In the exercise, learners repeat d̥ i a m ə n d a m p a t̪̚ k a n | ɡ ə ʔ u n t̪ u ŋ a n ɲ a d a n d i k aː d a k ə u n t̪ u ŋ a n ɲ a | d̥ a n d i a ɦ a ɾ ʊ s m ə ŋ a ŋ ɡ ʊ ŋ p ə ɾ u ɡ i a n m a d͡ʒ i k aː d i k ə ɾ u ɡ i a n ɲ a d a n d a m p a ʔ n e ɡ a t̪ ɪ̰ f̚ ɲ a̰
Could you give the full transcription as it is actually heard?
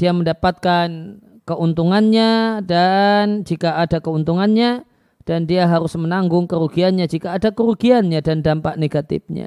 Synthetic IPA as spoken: d̥ i a m ə n d a p a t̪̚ k a n | k ə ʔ u n t̪ u ŋ a n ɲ a d a n d͡ʒ i k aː d a k ə u n t̪ u ŋ a n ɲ a | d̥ a n d i a ɦ a ɾ ʊ s m ə n a ŋ ɡ ʊ ŋ k ə ɾ u ɡ i a n ɲ a d͡ʒ i k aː d a k ə ɾ u ɡ i a n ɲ a d a n d a m p a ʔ n e ɡ a t̪ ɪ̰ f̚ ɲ a̰